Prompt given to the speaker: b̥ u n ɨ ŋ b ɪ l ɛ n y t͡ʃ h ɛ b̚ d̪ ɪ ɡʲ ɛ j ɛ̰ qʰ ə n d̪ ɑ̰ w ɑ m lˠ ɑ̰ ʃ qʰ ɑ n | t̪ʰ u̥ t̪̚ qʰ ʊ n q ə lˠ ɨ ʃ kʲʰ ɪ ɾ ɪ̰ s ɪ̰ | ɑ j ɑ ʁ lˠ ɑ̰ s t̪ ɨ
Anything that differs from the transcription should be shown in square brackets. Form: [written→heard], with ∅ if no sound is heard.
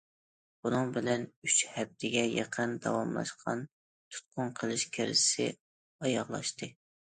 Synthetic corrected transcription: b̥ u n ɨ ŋ b ɪ l ɛ n y t͡ʃ h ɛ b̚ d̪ ɪ ɡʲ ɛ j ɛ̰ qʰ ə n d̪ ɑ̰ w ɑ m lˠ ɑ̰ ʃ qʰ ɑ n | t̪ʰ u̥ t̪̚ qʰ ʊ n [q→qʰ] ə lˠ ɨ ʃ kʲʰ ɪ ɾ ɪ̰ s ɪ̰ | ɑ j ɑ ʁ lˠ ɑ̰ [s→ʃ] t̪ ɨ